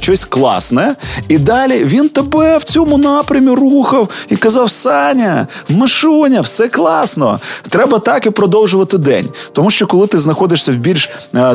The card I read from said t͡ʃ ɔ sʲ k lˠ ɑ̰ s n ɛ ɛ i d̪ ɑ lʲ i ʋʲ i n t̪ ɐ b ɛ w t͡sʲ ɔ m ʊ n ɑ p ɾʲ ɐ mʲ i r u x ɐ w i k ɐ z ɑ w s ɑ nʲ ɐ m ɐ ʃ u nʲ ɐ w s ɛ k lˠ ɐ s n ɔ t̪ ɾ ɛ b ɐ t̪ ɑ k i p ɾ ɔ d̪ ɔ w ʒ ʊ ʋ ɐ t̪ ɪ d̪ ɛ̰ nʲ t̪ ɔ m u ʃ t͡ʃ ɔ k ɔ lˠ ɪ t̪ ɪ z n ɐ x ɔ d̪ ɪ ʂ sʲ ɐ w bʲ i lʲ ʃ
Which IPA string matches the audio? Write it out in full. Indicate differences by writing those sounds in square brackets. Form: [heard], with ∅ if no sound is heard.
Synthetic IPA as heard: t͡ʃ ɔ sʲ k lˠ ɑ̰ s n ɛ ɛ i d̪ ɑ lʲ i ʋʲ i n t̪ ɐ b ɛ w t͡sʲ ɔ m ʊ n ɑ p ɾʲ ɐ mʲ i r u x ɐ w i k ɐ z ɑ w s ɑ nʲ ɐ m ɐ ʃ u nʲ ɐ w s ɛ k lˠ [ɑ] s n ɔ t̪ ɾ ɛ b ɐ t̪ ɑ k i p ɾ ɔ d̪ ɔ w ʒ ʊ ʋ ɐ t̪ ɪ d̪ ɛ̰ nʲ t̪ ɔ m u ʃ t͡ʃ ɔ k ɔ lˠ ɪ t̪ ɪ z n ɐ x ɔ d̪ ɪ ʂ sʲ ɐ w bʲ i lʲ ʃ